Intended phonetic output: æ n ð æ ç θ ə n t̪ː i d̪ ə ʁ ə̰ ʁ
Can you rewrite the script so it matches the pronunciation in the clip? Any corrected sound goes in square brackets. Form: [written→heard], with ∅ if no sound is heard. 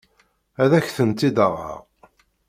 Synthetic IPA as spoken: æ [n→∅] ð æ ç θ ə n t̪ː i d̪ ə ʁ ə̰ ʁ